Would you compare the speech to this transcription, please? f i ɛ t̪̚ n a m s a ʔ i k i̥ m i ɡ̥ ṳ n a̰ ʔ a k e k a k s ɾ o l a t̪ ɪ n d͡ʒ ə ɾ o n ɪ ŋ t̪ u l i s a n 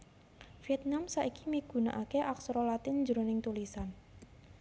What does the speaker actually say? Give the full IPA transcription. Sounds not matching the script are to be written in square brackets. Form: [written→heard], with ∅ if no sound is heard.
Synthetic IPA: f i ɛ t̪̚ n a m s a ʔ i k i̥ m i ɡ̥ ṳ n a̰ ʔ a k e [k→ʔ] a k s ɾ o l a t̪ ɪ n d͡ʒ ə ɾ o n ɪ ŋ t̪ u l i s a n